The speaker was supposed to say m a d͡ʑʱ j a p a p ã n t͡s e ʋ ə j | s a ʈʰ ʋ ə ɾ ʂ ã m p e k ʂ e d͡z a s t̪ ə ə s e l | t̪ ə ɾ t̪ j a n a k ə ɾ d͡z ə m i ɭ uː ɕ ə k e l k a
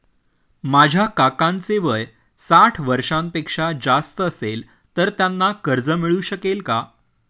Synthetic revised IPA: m a d͡ʑʱ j a k a k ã n t͡s e ʋ ə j | s a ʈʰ ʋ ə ɾ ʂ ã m p e k ʂ a d͡z a s t̪ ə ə s e l | t̪ ə ɾ t̪ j a nː a k ə ɾ d͡z ə m i ɭ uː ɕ ə k e l k a